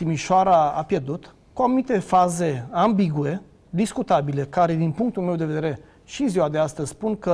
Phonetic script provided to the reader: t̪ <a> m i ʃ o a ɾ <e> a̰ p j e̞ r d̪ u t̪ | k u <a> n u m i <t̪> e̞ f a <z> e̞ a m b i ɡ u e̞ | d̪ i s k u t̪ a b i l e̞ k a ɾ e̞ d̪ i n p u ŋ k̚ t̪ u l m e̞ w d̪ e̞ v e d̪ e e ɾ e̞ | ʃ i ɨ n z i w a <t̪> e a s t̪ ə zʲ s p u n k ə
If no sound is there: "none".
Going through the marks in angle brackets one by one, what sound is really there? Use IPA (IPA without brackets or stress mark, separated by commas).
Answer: i, a, a, t̪, z, d̪